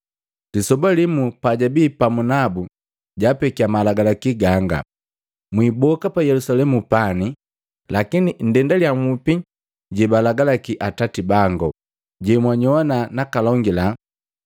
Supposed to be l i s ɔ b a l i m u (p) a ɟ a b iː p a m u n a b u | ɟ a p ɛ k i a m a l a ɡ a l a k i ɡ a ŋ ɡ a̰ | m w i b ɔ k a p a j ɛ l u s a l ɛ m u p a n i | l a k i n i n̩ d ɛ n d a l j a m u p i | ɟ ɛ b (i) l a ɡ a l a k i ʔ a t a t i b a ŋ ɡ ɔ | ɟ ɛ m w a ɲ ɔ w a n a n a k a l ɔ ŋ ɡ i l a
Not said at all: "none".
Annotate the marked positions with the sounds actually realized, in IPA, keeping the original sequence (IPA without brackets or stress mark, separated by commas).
p, a